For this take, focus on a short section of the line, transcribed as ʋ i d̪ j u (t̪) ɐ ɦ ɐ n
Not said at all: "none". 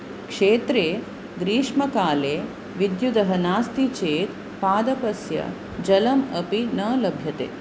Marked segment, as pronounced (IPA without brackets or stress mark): d̪